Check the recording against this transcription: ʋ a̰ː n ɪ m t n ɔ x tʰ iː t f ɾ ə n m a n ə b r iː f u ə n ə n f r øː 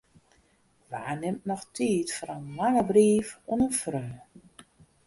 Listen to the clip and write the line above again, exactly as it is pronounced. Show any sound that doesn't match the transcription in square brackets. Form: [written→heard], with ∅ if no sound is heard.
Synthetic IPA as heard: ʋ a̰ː n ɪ m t n ɔ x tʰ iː t f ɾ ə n m a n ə b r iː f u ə n ə n f r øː